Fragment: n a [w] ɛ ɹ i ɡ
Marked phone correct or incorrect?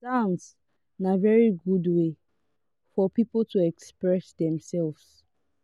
incorrect